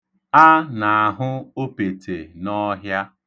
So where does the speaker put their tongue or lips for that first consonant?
tongue tip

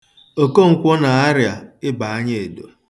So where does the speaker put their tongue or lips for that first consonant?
velum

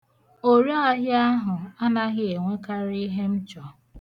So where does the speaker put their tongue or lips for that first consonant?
tongue tip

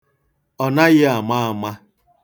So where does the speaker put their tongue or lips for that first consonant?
tongue tip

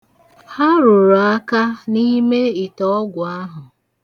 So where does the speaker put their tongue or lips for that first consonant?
throat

